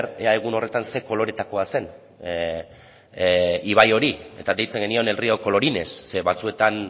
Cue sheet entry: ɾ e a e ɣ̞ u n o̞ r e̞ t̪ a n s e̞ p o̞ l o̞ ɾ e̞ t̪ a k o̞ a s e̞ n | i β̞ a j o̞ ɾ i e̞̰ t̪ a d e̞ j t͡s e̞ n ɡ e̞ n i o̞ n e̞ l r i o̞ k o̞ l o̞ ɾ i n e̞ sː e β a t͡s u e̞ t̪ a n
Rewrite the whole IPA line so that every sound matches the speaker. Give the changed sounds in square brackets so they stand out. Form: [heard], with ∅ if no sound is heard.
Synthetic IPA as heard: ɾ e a e ɣ̞ u n o̞ r e̞ t̪ a n s e̞ [k] o̞ l o̞ ɾ e̞ t̪ a k o̞ a s e̞ n | i β̞ a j o̞ ɾ i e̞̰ t̪ a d e̞ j t͡s e̞ [ŋ] ɡ e̞ n i o̞ n e̞ l r i o̞ k o̞ l o̞ ɾ i n e̞ sː e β a t͡s u e̞ t̪ a n

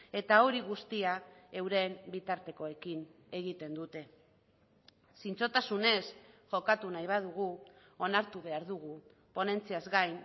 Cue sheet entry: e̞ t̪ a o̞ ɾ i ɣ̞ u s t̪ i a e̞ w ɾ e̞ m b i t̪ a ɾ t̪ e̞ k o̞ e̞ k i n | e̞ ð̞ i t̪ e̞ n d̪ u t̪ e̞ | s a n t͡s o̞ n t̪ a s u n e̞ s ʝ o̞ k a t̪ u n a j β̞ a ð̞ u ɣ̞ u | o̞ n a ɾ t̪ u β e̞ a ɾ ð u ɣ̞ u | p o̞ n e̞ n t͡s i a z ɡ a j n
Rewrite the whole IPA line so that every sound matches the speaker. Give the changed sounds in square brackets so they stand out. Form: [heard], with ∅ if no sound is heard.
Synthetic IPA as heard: e̞ t̪ a o̞ ɾ i ɣ̞ u s t̪ i a e̞ w ɾ e̞ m b i t̪ a ɾ t̪ e̞ k o̞ e̞ k i n | e̞ [ɣ̞] i t̪ e̞ n d̪ u t̪ e̞ | s [i] n t͡s o̞ [∅] t̪ a s u n e̞ s ʝ o̞ k a t̪ u n a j β̞ a ð̞ u ɣ̞ u | o̞ n a ɾ t̪ u β e̞ a ɾ ð u ɣ̞ u | p o̞ n e̞ n t͡s i a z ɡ a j n

